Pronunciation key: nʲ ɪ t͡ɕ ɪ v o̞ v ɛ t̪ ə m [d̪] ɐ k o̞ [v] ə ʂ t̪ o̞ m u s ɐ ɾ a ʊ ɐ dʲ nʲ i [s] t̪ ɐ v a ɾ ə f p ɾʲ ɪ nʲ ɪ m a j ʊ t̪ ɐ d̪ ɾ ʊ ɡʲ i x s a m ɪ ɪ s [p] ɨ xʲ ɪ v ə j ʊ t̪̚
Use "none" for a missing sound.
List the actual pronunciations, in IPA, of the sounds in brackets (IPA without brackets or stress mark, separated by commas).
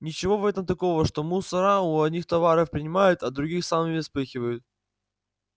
t̪, v, x, p